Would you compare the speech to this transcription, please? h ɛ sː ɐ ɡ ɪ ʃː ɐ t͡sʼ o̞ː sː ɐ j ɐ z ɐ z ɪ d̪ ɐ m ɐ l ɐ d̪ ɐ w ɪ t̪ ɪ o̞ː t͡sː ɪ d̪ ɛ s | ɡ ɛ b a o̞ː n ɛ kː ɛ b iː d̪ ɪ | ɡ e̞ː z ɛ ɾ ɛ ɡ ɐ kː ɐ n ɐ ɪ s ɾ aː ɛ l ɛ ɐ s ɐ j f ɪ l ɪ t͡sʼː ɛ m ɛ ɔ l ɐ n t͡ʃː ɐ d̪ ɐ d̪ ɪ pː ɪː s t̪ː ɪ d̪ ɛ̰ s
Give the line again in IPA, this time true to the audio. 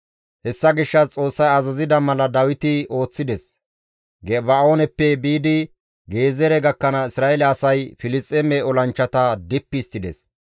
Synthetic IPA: h ɛ sː ɐ ɡ ɪ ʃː ɐ t͡sʼ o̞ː sː ɐ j ɐ z ɐ z ɪ d̪ ɐ m ɐ l ɐ d̪ ɐ w ɪ t̪ ɪ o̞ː t͡sː ɪ d̪ ɛ s | ɡ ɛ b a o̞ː n ɛ pː ɛ b iː d̪ ɪ | ɡ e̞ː z ɛ ɾ ɛ ɡ ɐ kː ɐ n ɐ ɪ s ɾ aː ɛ l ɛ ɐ s ɐ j f ɪ l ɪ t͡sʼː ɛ m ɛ ɔ l ɐ n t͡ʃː ɐ t̪ ɐ d̪ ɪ pː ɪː s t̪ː ɪ d̪ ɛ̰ s